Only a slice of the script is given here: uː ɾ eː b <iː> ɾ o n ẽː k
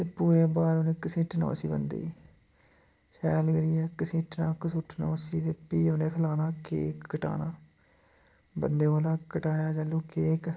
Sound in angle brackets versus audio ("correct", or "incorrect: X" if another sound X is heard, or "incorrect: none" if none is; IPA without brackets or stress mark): incorrect: aː